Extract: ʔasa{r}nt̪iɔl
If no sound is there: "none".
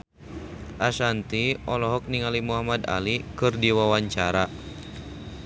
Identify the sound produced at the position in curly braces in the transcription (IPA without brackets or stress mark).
none